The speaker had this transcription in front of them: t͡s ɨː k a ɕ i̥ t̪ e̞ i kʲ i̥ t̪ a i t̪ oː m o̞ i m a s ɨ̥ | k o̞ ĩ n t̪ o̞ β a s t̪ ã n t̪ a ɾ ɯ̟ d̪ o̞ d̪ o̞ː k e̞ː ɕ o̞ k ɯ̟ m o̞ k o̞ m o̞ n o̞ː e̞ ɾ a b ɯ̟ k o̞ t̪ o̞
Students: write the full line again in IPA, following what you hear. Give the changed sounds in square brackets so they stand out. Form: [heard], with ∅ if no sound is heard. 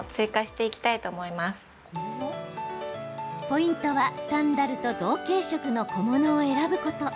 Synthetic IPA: t͡s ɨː k a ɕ i̥ t̪ e̞ i kʲ i̥ t̪ a i t̪ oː m o̞ i m a s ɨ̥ | [p] o̞ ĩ n t̪ o̞ β a s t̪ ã n [d̪] a ɾ ɯ̟ [t̪] o̞ d̪ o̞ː k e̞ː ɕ o̞ k ɯ̟ [n] o̞ k o̞ m o̞ n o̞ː e̞ ɾ a b ɯ̟ k o̞ t̪ o̞